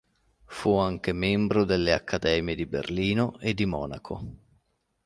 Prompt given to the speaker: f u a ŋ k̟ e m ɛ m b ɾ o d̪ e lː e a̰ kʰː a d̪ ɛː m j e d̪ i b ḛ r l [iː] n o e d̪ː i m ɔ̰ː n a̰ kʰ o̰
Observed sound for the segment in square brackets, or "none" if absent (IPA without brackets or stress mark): iː